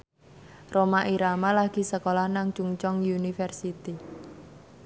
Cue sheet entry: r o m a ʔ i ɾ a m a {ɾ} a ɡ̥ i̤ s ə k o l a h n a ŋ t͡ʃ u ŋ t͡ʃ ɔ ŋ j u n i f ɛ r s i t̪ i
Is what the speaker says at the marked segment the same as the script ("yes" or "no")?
no